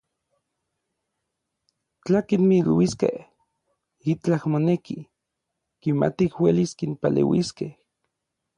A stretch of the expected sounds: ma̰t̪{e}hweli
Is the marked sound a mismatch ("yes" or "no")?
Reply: yes